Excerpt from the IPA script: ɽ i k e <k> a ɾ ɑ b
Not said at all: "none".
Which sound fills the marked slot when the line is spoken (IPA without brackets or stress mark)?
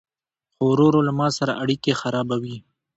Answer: x